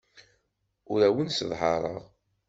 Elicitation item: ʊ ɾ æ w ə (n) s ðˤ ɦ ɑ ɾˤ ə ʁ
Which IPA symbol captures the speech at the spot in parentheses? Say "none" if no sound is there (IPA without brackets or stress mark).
n